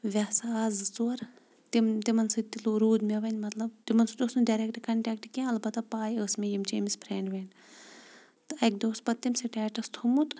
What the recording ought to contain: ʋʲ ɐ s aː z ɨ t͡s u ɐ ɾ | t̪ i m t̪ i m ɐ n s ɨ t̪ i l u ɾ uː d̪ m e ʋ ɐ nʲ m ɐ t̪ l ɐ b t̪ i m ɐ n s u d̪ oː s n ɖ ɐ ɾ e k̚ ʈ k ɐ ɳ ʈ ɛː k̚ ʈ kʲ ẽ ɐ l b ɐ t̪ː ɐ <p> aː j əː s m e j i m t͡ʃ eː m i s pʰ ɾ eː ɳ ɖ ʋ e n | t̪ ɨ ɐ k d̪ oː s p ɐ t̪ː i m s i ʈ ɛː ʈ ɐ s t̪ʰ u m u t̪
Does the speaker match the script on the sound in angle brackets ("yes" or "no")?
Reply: yes